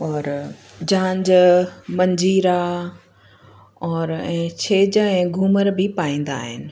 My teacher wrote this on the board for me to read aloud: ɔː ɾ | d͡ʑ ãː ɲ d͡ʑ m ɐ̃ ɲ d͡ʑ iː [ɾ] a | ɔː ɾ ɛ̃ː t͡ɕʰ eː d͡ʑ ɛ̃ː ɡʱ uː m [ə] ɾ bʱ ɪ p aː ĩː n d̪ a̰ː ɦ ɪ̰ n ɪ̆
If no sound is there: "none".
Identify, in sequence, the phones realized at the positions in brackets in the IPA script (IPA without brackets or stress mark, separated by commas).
ɾ, ə